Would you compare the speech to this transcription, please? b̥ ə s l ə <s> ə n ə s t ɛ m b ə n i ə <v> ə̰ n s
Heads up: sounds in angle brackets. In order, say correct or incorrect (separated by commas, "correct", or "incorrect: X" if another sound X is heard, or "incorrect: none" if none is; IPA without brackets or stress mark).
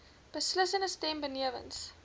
correct, correct